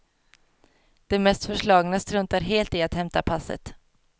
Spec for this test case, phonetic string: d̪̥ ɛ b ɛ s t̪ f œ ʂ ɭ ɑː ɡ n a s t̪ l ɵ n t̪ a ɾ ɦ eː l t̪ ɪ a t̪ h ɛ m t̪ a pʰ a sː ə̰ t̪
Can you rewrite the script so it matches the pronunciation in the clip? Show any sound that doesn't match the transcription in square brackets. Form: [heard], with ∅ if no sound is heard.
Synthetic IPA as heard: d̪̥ ɛ [m] ɛ s t̪ f œ ʂ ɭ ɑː ɡ n a s t̪ [ɾ] ɵ n t̪ a ɾ ɦ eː l t̪ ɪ a t̪ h ɛ m t̪ a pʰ a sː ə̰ t̪